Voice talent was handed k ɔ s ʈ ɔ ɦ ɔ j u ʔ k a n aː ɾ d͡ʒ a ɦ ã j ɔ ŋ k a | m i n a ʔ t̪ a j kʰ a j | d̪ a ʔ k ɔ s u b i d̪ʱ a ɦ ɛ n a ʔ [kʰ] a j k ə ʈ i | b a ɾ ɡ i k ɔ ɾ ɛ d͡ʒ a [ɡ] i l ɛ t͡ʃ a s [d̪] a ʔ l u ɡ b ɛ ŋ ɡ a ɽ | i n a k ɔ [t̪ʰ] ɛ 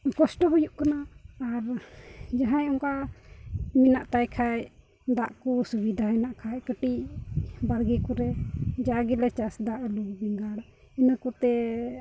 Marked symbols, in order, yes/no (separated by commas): yes, yes, yes, no